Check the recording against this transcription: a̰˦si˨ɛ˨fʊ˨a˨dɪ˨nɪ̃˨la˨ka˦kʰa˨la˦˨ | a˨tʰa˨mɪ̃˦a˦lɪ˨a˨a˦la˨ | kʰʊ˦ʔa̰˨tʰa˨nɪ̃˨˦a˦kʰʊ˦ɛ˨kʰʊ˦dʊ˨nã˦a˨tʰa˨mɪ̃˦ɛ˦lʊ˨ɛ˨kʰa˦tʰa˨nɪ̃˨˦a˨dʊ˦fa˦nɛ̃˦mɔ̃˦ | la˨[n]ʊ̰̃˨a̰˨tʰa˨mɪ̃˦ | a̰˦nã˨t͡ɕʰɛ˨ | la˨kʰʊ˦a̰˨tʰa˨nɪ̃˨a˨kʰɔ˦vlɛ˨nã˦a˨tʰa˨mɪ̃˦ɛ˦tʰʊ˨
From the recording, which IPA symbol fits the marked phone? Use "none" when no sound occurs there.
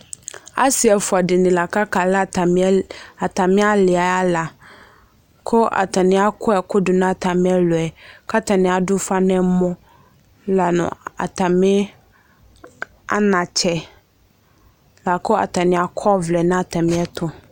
n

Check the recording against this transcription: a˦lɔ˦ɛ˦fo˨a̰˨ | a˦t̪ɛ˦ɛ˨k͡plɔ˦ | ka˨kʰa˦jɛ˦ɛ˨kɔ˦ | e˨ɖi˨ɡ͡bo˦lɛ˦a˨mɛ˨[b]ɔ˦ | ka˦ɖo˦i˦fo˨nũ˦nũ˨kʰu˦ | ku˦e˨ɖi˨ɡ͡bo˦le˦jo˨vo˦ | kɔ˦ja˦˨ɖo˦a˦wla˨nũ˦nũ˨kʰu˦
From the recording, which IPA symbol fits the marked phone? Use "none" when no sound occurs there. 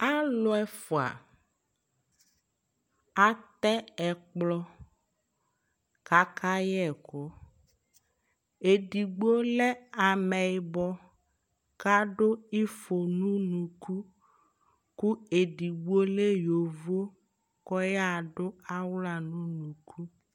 b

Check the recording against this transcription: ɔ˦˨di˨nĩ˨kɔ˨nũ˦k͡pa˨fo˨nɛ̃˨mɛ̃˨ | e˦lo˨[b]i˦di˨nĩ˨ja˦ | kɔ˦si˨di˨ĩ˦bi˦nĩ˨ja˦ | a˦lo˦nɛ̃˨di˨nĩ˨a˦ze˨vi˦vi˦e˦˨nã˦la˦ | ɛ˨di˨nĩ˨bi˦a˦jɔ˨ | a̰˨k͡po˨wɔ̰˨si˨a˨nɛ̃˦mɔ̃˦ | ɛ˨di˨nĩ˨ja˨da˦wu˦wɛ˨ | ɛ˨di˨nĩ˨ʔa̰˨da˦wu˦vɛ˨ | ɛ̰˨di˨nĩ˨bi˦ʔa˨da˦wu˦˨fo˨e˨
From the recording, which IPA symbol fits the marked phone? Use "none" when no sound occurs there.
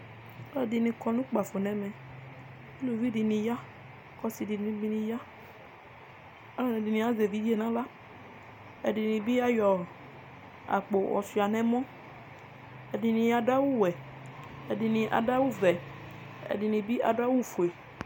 v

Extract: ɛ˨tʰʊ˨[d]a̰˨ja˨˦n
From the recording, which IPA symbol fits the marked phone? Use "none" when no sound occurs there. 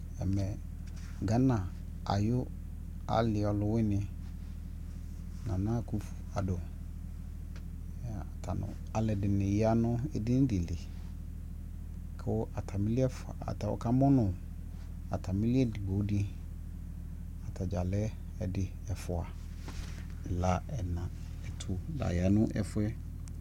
d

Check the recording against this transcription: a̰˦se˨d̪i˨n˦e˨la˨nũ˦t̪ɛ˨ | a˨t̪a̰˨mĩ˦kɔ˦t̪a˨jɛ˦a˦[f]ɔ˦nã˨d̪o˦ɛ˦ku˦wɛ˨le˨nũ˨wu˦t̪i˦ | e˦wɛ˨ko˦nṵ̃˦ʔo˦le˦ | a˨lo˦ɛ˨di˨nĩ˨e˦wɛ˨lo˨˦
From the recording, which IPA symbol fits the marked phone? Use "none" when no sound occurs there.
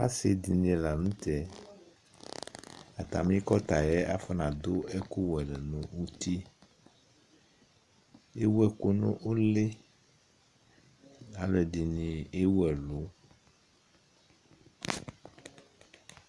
f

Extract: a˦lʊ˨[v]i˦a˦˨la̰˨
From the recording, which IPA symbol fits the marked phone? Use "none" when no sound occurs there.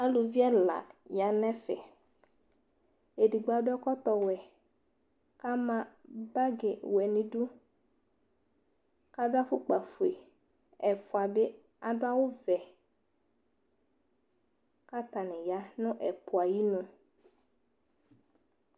v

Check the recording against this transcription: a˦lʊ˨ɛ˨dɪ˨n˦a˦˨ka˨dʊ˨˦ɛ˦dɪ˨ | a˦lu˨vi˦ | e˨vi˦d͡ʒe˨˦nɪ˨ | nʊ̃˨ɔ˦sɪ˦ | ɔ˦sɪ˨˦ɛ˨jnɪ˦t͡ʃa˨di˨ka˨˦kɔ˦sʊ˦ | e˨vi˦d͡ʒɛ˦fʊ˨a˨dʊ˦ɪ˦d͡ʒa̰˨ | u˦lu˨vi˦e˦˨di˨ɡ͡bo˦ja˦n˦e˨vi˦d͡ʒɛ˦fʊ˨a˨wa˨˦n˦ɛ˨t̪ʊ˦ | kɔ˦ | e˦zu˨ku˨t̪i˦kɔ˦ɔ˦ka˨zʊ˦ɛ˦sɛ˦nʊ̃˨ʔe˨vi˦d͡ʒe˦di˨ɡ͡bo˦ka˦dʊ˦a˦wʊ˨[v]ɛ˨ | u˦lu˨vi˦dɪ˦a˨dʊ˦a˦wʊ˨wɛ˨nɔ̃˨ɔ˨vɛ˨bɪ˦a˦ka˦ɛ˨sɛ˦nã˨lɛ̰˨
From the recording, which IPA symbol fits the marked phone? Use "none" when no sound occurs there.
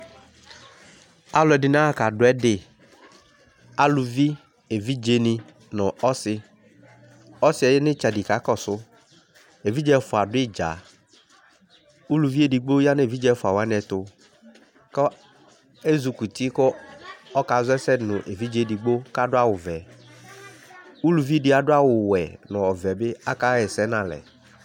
v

